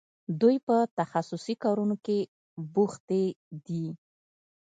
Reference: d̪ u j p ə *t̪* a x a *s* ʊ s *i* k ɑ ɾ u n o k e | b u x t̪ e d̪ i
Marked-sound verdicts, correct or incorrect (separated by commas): correct, correct, correct